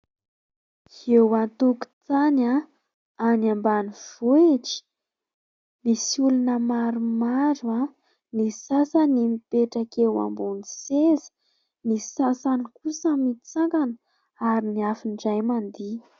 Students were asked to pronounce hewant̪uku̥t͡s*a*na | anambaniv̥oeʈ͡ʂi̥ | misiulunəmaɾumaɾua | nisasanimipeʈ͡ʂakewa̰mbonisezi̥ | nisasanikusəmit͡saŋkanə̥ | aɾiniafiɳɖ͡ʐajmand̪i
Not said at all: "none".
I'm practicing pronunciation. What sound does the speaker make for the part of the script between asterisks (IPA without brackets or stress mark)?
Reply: a